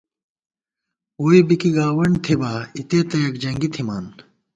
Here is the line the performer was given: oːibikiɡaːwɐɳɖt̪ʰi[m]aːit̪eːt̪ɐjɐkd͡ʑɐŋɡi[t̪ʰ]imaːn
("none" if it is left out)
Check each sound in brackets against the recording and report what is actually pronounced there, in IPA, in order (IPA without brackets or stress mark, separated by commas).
b, t̪ʰ